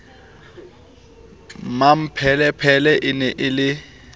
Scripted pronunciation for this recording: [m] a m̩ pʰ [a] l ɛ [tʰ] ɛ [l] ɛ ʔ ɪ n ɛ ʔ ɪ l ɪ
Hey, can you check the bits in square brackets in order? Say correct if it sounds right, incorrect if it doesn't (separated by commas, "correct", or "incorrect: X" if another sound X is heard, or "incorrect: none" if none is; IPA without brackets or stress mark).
correct, incorrect: ɛ, incorrect: pʰ, correct